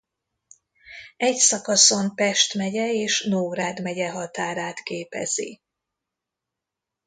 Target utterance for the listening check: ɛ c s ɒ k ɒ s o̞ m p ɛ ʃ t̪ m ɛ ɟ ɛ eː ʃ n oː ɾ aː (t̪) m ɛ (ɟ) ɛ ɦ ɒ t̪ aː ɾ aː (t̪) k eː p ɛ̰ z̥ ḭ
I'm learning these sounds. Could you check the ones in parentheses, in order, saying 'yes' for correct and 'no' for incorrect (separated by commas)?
no, yes, yes